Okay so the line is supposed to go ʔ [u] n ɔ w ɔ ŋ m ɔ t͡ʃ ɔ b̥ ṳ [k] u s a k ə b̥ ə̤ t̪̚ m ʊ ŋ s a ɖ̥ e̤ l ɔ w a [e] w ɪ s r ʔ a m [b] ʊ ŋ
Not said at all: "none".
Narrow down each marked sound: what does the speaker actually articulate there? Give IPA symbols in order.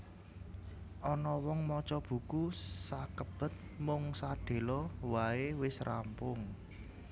ɔ, k, e, p

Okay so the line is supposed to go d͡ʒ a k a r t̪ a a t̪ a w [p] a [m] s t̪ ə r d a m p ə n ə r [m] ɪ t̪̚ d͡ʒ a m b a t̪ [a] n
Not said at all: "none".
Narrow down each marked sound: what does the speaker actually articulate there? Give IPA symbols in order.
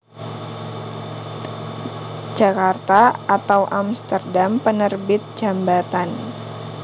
ʔ, m, b, a

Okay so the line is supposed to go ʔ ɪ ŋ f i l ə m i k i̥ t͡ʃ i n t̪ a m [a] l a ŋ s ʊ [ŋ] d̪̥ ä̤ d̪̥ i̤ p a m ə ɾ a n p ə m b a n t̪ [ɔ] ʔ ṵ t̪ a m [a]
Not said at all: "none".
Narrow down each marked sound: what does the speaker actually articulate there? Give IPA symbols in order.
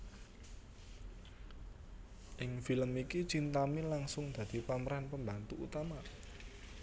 i, ŋ, u, a

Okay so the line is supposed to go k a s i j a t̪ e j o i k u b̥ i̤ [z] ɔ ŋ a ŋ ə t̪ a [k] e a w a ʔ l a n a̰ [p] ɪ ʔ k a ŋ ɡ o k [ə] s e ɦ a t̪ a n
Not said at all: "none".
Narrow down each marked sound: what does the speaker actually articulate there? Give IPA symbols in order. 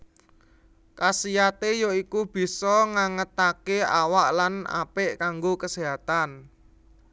s, k, p, ə

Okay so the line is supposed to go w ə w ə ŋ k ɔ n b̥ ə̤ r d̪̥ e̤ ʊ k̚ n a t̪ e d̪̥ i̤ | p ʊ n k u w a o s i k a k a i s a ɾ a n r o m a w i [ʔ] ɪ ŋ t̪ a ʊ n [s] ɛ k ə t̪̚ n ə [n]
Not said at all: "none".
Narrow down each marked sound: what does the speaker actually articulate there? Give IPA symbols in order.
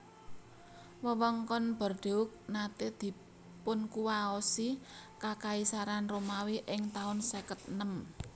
ʔ, s, m

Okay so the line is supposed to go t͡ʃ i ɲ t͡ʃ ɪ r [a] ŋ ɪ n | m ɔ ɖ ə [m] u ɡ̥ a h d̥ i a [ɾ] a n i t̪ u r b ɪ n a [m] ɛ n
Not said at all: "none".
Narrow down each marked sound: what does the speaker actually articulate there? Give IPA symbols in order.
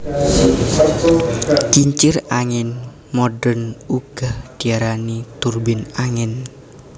a, n, ɾ, ŋ

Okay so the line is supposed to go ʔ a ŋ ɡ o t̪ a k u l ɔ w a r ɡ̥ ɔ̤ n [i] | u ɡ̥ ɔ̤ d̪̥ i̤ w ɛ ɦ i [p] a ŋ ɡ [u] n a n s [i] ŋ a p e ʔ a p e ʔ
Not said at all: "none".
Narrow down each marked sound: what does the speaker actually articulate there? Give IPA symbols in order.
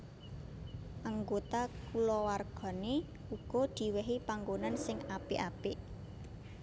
e, p, o, ɪ

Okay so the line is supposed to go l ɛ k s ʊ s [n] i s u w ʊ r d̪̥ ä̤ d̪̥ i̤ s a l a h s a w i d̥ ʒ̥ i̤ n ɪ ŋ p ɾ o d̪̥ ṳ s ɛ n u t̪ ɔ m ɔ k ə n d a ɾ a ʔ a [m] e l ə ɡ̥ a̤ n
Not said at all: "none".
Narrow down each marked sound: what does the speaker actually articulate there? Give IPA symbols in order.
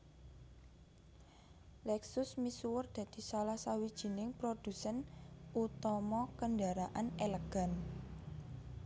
m, n

